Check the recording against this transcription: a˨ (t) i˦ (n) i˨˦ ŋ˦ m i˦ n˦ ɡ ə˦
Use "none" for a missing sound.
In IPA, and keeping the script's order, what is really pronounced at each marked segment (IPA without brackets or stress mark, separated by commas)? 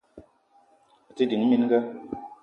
t, d